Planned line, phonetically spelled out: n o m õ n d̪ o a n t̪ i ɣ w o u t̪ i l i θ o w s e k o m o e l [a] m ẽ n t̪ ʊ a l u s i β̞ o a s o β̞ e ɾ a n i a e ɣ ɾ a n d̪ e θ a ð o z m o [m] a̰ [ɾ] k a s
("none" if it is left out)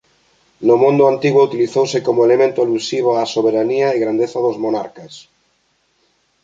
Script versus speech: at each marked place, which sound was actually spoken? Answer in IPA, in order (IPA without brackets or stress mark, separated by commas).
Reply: e, n, ɾ